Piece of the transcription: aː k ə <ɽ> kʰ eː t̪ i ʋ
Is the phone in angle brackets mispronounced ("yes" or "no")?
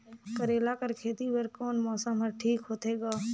yes